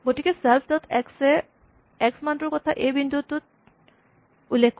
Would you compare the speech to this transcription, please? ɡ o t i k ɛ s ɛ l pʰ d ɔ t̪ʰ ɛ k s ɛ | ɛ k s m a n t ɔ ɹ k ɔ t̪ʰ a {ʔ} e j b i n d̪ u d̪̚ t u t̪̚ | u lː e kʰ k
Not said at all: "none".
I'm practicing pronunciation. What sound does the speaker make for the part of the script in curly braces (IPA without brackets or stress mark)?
ʔ